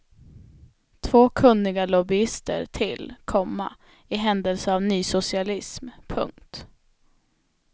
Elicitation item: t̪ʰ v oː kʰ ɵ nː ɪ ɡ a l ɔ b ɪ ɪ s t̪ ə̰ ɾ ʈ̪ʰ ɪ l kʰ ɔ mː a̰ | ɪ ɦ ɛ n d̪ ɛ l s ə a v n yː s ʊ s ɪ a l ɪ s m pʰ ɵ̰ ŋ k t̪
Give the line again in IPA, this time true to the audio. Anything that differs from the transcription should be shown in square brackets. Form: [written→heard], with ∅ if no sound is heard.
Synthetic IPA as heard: t̪ʰ v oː kʰ ɵ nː ɪ ɡ a l ɔ b ɪ ɪ s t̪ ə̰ ɾ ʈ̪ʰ ɪ l kʰ ɔ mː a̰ | ɪ ɦ ɛ n d̪ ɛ l s ə a v n yː s ʊ s ɪ a l ɪ s m pʰ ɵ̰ ŋ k t̪

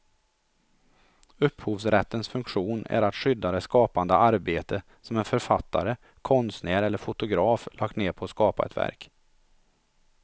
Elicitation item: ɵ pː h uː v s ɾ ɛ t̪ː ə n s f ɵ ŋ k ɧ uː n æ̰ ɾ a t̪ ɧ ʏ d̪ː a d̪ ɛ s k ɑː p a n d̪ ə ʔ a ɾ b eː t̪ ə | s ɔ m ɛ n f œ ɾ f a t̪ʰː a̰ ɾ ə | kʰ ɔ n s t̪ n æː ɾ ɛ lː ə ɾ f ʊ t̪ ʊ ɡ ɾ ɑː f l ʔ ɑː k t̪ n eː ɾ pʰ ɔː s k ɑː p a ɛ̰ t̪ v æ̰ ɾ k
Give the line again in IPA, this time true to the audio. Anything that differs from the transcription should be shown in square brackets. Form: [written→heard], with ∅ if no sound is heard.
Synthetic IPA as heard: ɵ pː h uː v s ɾ ɛ t̪ː ə n s f ɵ ŋ k ɧ uː n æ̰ ɾ a t̪ ɧ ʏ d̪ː a d̪ ɛ s k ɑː p a n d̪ ə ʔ a ɾ b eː t̪ ə | s ɔ m ɛ n f œ ɾ f a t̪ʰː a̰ ɾ ə | kʰ ɔ n s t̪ n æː ɾ ɛ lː ə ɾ f ʊ t̪ ʊ ɡ ɾ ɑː f l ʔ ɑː k t̪ n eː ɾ pʰ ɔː s k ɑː p a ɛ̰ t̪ v æ̰ ɾ k

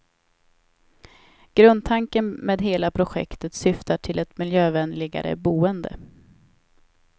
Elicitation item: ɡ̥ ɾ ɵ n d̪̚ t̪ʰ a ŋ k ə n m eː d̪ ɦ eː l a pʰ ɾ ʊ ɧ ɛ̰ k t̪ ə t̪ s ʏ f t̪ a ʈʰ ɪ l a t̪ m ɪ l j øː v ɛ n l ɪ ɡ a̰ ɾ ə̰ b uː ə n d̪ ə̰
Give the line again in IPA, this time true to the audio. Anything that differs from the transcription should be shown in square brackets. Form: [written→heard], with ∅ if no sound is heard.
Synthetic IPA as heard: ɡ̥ ɾ ɵ n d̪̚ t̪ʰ a ŋ k ə n m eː d̪ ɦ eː l a pʰ ɾ ʊ ɧ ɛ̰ k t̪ ə t̪ s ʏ f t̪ a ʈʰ ɪ l [a→ɛ] t̪ m ɪ l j øː v ɛ n l ɪ ɡ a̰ ɾ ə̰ b uː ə n d̪ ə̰

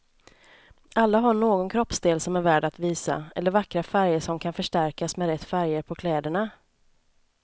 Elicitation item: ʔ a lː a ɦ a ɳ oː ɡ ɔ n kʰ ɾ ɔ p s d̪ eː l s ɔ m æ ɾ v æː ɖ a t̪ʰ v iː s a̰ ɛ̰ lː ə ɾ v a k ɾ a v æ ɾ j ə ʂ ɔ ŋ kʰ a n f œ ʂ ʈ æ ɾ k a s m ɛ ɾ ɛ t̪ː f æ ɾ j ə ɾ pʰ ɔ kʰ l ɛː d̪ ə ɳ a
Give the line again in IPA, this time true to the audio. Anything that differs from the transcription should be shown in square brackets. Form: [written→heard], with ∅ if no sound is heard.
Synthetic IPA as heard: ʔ a lː a ɦ a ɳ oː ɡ ɔ n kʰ ɾ ɔ p s d̪ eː l s ɔ m æ ɾ v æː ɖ a [t̪ʰ→t̪] v iː s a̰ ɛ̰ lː ə ɾ v a k ɾ a [v→f] æ ɾ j ə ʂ ɔ [ŋ→m] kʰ a n f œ ʂ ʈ æ ɾ k a s m ɛ ɾ ɛ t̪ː f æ ɾ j ə ɾ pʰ ɔ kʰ l ɛː d̪ ə ɳ a

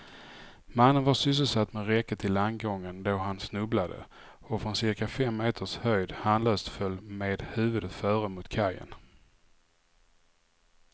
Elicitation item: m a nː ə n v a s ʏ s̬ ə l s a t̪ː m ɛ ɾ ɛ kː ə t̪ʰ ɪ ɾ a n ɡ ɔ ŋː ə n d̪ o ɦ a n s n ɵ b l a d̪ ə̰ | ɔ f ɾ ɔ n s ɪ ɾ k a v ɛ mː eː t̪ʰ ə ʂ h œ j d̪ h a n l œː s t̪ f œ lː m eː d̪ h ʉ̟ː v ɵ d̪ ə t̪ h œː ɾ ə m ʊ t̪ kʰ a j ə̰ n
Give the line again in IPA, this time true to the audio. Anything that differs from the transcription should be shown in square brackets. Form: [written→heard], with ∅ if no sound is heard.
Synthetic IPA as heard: m a nː ə n v a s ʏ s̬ ə l s a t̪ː m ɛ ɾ ɛ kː ə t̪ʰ ɪ [ɾ→l] a n ɡ ɔ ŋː ə n d̪ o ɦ a n s n ɵ b l a d̪ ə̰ | ɔ f ɾ ɔ n s ɪ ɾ k a [v→f] ɛ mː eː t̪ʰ ə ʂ h œ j d̪ h a n l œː s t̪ f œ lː m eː d̪ h ʉ̟ː v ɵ d̪ ə t̪ [h→f] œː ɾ ə m ʊ t̪ kʰ a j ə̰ n

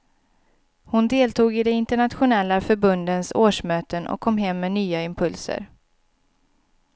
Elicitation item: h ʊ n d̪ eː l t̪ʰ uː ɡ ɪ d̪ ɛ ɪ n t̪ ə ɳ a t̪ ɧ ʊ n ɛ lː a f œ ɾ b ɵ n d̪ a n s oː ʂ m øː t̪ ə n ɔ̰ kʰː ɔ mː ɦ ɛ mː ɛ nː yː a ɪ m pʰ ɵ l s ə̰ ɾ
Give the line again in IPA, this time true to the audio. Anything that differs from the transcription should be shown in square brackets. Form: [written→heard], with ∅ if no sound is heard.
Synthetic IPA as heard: h ʊ n d̪ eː l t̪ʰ uː ɡ ɪ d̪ ɛ ɪ n t̪ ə ɳ a t̪ ɧ ʊ n ɛ lː a f œ ɾ b ɵ n d̪ [a→ə] n s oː ʂ m øː t̪ ə n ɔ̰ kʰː ɔ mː ɦ ɛ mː ɛ [nː→n] yː a ɪ m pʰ ɵ l s ə̰ ɾ

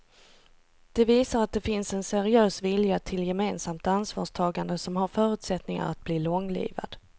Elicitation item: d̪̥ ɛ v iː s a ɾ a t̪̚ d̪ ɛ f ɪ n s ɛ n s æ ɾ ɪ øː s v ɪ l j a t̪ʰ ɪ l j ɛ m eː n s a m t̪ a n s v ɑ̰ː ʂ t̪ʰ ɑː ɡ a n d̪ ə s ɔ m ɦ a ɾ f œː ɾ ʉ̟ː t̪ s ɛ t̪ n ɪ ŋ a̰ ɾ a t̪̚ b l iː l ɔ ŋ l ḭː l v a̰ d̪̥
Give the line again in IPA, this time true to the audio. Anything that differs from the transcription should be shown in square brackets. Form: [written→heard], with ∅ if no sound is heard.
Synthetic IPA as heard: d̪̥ ɛ v iː s a ɾ a t̪̚ d̪ ɛ f ɪ n s ɛ n s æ ɾ ɪ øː s v ɪ l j a t̪ʰ ɪ l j ɛ m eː n s a m t̪ a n s v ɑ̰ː ʂ t̪ʰ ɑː ɡ a n d̪ ə s ɔ m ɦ a ɾ f œː ɾ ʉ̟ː t̪ s ɛ t̪ n ɪ ŋ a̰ ɾ a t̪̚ b l iː l ɔ ŋ l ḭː [l→∅] v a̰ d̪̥

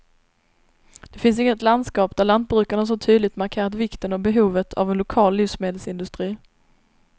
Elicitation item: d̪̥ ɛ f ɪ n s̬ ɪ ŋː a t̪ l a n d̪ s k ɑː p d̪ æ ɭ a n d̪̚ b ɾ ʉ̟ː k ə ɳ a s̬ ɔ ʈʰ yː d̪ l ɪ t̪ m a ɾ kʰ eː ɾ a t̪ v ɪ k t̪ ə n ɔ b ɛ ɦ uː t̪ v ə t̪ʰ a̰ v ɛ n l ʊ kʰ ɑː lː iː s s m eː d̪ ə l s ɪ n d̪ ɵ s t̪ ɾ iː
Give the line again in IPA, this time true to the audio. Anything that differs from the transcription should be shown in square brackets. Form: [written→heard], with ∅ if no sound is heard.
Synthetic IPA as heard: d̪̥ ɛ f ɪ n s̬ ɪ ŋː [a→ə] t̪ l a n d̪ s k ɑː p d̪ æ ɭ a n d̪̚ b ɾ ʉ̟ː k [ə→a] ɳ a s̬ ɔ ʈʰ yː d̪ l ɪ t̪ m a ɾ kʰ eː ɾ a t̪ v ɪ k t̪ ə n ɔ b ɛ ɦ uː [t̪→∅] v ə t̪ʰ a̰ v ɛ n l ʊ kʰ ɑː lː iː [s→f] s m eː d̪ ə l s ɪ n d̪ ɵ s t̪ ɾ iː

